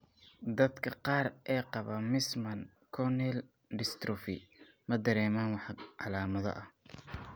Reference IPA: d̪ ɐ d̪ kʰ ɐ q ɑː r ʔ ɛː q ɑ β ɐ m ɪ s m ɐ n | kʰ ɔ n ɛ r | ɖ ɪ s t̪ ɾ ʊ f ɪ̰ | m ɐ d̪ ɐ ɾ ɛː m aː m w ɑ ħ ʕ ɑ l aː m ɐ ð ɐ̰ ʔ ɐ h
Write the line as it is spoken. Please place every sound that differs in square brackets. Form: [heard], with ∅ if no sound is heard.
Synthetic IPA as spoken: d̪ ɐ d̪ kʰ ɐ q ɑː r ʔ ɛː q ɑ β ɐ m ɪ s m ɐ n | kʰ ɔ n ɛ [l] | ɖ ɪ s t̪ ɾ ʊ f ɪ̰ | m ɐ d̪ ɐ ɾ ɛː m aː [n] w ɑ ħ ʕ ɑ l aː m ɐ ð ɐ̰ ʔ ɐ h